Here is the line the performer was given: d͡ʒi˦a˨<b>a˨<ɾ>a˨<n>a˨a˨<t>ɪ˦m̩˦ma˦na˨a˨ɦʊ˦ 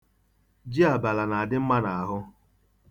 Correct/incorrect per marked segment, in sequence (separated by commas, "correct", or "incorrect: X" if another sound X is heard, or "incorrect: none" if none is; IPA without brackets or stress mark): correct, incorrect: l, correct, incorrect: d